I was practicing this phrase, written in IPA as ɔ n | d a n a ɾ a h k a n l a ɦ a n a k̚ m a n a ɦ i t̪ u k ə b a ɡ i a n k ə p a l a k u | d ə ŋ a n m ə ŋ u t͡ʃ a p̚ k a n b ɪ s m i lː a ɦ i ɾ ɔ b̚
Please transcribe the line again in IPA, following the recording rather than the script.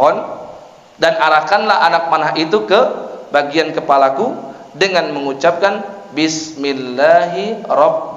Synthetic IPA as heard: ɔ n | d a n a ɾ a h k a n l a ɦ a n a k̚ m a n a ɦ i t̪ u k ə b a ɡ i a n k ə p a l a k u | d ə ŋ a n m ə ŋ u t͡ʃ a p̚ k a n b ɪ s m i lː a ɦ i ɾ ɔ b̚